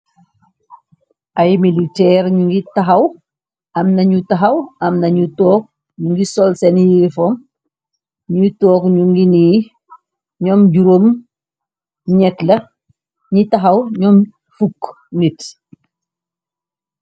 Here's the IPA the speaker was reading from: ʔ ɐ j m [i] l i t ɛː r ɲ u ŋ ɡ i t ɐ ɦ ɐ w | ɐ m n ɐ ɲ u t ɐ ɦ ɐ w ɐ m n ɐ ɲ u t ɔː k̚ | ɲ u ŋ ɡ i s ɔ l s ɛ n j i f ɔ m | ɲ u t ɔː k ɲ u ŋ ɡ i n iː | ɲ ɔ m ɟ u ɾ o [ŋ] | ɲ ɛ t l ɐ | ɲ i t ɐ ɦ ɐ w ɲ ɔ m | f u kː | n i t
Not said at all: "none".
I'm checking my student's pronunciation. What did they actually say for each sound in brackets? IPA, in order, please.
i, m

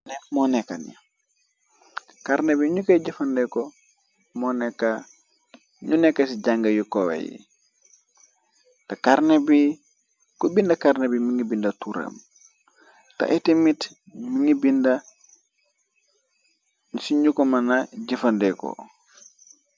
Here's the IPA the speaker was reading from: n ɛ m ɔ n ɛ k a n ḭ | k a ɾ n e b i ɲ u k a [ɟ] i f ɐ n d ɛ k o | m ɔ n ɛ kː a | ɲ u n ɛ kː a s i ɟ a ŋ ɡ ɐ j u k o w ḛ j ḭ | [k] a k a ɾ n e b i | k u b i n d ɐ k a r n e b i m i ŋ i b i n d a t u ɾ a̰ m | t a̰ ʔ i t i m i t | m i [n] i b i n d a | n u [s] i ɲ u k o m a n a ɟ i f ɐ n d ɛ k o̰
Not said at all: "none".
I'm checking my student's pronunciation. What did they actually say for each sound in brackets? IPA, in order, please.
ɟ, t, ŋ, s

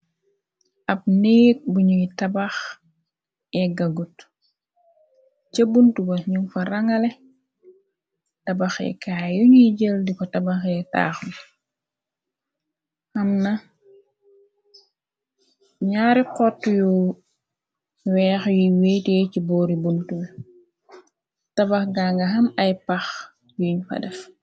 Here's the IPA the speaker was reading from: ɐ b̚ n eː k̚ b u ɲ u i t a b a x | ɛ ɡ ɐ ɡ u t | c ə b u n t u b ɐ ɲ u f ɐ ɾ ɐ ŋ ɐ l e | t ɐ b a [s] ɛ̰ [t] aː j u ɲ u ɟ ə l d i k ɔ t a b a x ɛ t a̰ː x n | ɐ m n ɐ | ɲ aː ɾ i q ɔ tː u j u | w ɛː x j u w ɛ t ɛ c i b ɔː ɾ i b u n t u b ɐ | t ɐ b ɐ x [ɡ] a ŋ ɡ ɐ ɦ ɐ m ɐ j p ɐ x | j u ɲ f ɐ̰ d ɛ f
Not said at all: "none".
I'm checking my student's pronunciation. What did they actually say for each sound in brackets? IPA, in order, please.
x, k, ɡ

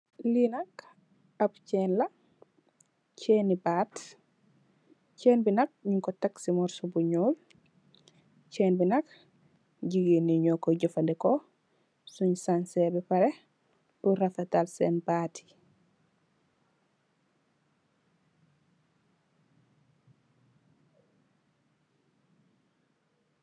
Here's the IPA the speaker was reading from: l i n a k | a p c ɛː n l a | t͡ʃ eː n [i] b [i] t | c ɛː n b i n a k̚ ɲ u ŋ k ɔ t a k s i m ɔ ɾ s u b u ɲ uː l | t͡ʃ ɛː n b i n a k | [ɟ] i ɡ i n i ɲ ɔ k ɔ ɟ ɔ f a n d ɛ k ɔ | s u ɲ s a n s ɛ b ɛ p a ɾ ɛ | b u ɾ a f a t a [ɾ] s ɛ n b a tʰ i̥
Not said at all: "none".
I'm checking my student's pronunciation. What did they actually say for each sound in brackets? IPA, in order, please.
i, a, ɟ, l

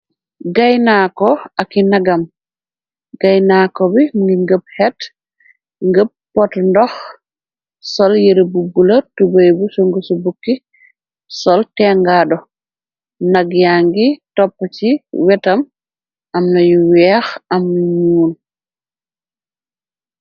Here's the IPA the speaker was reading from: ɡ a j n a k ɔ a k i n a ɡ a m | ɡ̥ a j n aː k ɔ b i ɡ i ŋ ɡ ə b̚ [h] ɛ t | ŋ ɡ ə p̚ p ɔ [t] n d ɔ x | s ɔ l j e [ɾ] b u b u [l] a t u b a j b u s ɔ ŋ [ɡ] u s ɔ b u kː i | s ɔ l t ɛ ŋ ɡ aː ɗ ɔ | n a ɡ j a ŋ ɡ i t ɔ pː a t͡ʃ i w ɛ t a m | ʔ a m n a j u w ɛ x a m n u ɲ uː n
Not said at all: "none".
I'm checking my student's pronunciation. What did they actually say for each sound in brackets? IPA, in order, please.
h, t, ɾ, l, ɡ

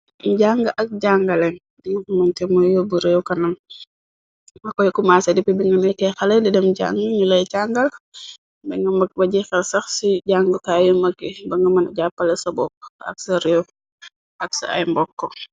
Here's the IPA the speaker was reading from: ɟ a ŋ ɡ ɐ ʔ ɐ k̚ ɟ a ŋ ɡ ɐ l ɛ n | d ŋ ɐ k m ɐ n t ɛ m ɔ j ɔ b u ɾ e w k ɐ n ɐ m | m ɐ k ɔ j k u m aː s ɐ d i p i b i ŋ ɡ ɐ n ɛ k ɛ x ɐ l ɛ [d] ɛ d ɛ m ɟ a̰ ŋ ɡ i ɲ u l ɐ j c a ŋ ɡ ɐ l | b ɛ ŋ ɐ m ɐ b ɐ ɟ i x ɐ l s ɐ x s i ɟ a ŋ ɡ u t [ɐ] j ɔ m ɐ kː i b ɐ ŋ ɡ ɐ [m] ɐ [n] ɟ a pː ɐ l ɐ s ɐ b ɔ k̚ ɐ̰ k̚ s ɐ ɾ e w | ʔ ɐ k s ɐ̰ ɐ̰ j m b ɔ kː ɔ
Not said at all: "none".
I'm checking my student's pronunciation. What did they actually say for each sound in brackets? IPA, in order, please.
d, a, m, n

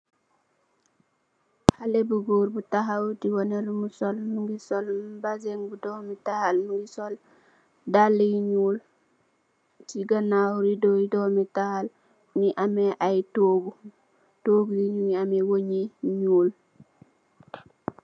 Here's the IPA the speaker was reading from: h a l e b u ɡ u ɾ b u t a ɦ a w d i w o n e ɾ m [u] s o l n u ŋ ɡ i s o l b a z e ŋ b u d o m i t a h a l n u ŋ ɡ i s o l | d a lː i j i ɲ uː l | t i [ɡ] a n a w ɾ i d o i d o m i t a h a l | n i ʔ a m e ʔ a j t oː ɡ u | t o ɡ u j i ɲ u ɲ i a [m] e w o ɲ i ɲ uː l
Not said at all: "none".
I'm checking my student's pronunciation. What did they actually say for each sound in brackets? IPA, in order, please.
u, ɡ, m

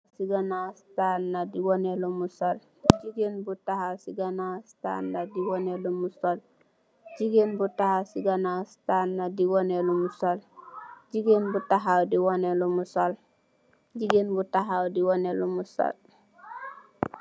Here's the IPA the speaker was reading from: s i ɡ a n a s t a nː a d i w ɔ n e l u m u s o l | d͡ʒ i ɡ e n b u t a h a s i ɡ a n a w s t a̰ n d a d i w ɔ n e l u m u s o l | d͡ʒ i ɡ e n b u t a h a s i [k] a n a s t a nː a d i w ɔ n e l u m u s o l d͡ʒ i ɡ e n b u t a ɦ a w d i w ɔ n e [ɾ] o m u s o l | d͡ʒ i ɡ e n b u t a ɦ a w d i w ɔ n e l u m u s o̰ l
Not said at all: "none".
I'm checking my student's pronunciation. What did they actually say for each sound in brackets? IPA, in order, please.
ɡ, l

